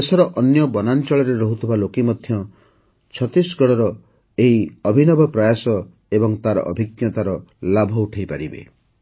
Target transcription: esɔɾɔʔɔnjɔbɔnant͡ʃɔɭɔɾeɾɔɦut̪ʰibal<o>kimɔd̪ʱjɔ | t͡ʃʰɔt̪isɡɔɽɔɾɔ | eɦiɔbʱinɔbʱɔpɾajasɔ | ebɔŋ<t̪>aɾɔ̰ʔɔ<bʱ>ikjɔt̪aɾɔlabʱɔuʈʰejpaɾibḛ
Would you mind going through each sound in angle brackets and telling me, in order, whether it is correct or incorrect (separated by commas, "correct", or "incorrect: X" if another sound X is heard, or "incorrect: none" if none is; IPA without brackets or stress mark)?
correct, correct, correct